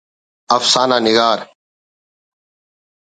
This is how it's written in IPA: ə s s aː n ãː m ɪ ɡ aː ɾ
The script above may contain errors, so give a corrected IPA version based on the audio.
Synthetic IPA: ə f s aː n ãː n ɪ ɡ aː ɾ